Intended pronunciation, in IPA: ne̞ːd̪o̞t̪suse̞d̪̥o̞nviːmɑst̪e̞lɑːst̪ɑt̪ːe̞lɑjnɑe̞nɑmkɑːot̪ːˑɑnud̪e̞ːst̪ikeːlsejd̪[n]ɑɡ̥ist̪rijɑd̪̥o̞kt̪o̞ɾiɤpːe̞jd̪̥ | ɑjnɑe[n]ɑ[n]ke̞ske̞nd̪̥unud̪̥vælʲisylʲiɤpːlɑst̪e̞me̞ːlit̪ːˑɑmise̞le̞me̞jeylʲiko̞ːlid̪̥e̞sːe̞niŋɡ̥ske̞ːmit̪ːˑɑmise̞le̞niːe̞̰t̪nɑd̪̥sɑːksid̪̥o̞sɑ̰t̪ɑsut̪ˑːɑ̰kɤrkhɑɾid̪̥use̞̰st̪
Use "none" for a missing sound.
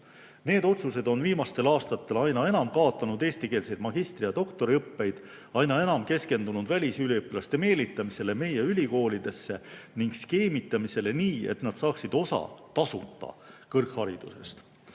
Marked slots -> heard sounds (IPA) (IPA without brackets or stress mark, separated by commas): m, n, m